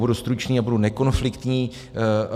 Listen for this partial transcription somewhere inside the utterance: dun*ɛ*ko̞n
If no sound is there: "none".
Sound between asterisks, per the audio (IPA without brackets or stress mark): ɛ